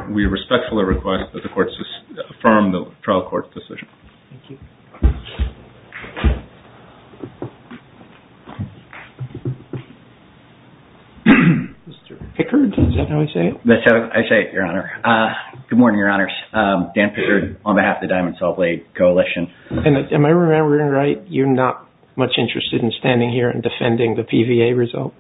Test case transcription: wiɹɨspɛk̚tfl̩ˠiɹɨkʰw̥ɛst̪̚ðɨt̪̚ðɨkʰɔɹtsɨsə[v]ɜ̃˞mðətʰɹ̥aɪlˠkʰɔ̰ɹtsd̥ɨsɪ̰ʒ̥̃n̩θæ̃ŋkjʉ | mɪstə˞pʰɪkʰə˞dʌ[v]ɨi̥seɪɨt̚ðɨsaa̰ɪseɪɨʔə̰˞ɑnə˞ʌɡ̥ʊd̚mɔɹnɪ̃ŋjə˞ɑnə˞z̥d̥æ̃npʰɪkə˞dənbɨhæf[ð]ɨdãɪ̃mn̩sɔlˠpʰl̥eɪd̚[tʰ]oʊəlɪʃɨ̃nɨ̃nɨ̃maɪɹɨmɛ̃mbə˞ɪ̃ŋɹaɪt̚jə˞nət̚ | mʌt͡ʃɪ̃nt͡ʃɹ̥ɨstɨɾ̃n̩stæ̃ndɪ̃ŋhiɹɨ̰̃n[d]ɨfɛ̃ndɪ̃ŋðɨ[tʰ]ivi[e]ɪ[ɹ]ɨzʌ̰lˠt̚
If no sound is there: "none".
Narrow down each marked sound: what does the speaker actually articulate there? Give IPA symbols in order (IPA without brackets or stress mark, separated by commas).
f, z, ð, kʰ, d, pʰ, e, ɹ